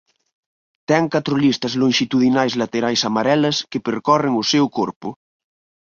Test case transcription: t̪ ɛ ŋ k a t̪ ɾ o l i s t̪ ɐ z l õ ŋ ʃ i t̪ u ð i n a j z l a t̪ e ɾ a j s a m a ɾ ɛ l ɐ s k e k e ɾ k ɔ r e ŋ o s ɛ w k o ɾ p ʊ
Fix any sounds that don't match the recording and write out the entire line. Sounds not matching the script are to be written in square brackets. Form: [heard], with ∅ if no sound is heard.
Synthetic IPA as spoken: t̪ ɛ ŋ k a t̪ ɾ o l i s t̪ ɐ z l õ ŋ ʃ i t̪ u ð i n a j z l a t̪ e ɾ a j s a m a ɾ ɛ l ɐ s k e [p] e ɾ k ɔ r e ŋ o s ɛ w k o ɾ p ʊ